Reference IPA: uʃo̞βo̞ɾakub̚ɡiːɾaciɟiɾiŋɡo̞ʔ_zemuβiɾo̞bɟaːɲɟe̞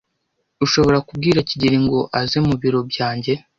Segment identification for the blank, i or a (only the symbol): a